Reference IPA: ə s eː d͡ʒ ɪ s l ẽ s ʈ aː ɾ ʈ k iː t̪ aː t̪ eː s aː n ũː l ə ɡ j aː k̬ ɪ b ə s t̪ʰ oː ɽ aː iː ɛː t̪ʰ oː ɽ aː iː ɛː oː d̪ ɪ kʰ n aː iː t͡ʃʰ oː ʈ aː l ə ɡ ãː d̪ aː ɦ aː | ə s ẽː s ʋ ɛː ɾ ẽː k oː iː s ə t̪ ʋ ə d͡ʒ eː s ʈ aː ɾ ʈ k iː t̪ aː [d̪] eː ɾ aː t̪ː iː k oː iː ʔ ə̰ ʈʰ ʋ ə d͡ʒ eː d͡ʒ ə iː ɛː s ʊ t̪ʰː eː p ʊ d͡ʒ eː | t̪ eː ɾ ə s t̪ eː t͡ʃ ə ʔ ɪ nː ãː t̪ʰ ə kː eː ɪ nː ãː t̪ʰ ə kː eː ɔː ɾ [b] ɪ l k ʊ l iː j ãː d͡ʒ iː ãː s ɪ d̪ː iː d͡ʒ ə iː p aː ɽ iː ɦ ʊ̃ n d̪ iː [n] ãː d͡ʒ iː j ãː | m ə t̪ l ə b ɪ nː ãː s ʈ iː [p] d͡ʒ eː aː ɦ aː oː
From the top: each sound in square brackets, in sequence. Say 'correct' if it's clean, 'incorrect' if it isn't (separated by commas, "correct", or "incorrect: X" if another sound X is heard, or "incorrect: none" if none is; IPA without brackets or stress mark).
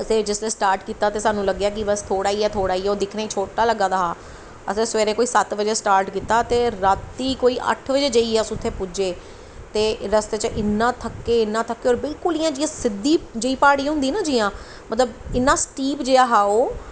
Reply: incorrect: t̪, correct, correct, correct